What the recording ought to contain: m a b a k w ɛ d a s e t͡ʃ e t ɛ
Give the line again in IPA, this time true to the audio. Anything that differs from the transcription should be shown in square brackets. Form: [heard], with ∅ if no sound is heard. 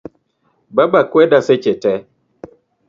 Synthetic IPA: [b] a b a k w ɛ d a s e t͡ʃ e t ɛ